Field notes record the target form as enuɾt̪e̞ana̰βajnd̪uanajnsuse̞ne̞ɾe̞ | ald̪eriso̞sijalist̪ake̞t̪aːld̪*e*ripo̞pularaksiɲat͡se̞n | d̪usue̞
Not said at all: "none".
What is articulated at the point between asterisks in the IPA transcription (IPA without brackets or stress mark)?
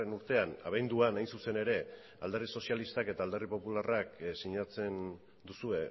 e